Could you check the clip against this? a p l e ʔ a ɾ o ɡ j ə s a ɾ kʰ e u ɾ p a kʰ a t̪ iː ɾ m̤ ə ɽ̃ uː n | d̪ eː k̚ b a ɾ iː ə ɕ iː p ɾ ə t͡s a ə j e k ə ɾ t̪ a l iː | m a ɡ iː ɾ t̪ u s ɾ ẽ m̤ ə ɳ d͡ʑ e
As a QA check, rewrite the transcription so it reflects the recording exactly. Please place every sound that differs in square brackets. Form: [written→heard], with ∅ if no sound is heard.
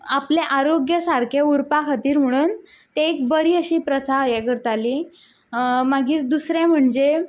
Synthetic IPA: a p l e ʔ a ɾ o ɡ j ə s a ɾ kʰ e u ɾ p a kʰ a t̪ iː ɾ m̤ ə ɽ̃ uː n | [d̪→t̪] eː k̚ b [a→ə] ɾ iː ə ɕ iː p ɾ ə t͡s a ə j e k ə ɾ t̪ a l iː | m a ɡ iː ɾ [t̪→d̪] u s ɾ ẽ m̤ ə ɳ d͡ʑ e